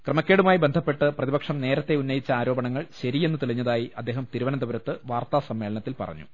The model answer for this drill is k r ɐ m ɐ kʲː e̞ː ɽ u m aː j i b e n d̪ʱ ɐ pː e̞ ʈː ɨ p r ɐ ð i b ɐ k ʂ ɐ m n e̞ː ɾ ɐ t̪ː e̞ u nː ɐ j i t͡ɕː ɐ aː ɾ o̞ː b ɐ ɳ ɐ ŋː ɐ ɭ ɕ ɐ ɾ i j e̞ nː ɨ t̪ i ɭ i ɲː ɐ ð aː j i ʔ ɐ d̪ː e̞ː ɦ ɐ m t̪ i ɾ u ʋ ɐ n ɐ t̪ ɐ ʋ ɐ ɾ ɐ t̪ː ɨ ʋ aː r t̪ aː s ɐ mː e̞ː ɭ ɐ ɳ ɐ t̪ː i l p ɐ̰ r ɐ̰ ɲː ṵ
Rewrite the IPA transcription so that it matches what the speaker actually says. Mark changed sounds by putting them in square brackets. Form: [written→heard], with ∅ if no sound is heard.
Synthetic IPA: k r ɐ m ɐ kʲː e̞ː ɽ u m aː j i b e n d̪ʱ ɐ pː e̞ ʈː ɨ p r ɐ ð i b ɐ k ʂ ɐ m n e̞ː ɾ ɐ t̪ː e̞ u nː ɐ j i t͡ɕː ɐ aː ɾ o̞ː b ɐ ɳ ɐ ŋː ɐ ɭ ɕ ɐ ɾ i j e̞ nː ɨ t̪ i ɭ i ɲː ɐ ð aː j i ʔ ɐ d̪ː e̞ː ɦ ɐ m t̪ i ɾ u ʋ ɐ n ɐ [t̪→d̪] ɐ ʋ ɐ ɾ ɐ t̪ː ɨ ʋ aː r t̪ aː s ɐ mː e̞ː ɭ ɐ ɳ ɐ t̪ː i l p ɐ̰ r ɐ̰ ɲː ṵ